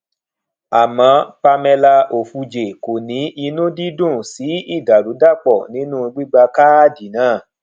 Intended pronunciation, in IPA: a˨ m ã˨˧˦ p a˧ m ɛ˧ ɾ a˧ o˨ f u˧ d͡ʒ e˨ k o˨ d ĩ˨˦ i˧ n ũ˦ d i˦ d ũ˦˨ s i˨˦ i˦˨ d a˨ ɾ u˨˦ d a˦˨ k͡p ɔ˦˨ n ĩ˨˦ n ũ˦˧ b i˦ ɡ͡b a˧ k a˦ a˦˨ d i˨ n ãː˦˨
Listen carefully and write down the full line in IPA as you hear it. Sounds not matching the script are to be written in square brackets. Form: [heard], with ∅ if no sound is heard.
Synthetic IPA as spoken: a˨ m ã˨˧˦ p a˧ m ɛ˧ [l] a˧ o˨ f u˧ d͡ʒ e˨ k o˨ [n] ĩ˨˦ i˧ n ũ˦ d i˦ d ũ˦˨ s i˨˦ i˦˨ d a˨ ɾ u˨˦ d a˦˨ k͡p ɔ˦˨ n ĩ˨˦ n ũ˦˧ [ɡ͡b] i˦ ɡ͡b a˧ k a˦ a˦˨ d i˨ n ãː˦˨